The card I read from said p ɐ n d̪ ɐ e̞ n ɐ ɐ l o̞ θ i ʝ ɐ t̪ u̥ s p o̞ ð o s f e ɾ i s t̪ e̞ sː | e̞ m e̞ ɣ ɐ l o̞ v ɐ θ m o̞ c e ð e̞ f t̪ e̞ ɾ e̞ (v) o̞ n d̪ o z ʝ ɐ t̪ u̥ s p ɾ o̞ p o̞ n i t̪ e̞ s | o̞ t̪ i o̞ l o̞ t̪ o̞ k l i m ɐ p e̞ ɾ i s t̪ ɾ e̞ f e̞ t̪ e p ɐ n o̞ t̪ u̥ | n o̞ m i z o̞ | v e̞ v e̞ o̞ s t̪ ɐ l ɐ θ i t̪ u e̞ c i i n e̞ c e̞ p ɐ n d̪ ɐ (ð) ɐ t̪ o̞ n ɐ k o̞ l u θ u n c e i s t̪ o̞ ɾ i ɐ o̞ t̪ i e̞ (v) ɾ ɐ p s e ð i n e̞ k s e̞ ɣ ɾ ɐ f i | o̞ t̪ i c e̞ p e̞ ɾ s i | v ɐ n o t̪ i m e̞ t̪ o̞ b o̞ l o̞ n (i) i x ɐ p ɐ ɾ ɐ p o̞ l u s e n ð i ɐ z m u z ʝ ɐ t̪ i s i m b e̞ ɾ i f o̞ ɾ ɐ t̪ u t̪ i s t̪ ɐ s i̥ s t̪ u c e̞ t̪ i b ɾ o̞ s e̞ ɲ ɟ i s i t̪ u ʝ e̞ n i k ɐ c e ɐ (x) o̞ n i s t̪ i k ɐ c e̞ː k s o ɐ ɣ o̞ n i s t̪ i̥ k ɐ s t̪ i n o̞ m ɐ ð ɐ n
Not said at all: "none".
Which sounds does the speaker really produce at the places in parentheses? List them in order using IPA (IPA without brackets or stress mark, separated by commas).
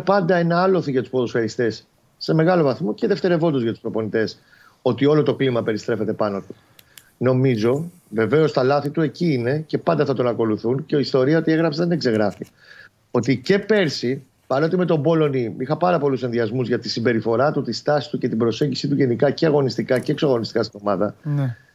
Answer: v, θ, ɣ, i, ɣ